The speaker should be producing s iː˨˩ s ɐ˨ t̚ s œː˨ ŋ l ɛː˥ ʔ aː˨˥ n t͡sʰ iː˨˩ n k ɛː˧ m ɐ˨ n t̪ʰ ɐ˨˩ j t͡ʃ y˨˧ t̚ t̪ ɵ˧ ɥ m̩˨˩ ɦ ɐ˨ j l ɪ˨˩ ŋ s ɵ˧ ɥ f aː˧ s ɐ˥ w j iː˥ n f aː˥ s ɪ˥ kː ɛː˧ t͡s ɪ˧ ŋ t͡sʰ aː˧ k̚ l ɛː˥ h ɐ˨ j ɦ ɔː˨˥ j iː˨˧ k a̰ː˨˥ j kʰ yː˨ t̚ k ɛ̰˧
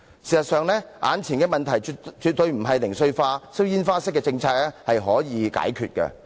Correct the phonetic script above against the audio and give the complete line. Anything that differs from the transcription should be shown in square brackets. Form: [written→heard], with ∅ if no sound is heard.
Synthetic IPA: s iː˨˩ s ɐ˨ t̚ s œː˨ ŋ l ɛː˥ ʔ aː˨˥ n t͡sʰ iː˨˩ n k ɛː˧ m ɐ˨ n t̪ʰ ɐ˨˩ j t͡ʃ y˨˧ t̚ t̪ ɵ˧ ɥ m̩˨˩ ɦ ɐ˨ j l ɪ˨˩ ŋ s ɵ˧ ɥ f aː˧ s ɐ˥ w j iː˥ n f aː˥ s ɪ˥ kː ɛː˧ t͡s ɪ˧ ŋ t͡sʰ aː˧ k̚ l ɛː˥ h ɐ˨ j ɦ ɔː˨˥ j iː˨˧ k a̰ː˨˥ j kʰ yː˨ t̚ k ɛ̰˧